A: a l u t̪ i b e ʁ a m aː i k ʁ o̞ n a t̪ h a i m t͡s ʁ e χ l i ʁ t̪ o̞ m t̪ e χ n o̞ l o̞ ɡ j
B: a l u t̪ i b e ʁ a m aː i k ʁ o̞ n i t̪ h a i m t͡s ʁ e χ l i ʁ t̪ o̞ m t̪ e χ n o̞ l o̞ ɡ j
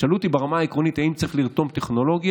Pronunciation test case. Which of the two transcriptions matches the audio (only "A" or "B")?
B